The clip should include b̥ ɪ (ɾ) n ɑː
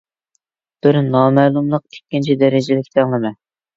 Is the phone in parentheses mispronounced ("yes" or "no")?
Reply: no